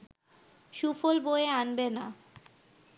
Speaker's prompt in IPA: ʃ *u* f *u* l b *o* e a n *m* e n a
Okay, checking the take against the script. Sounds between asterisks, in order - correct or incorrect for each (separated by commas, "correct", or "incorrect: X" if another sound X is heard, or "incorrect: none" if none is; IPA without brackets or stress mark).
correct, incorrect: o, correct, incorrect: b